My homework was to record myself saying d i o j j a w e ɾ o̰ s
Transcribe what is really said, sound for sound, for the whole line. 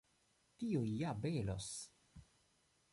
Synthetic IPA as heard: t i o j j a b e l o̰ s